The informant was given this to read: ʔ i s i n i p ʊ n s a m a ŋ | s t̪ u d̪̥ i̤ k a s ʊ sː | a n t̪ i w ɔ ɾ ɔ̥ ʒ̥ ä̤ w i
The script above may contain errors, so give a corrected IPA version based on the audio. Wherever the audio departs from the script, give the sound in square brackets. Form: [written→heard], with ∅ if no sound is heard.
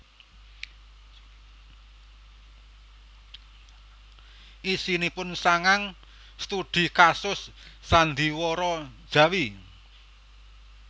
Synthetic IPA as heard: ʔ i s i n i p ʊ n s a [m→ŋ] a ŋ | s t̪ u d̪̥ i̤ k a s ʊ sː | a n [t̪→d̪] i w ɔ ɾ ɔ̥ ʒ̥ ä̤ w i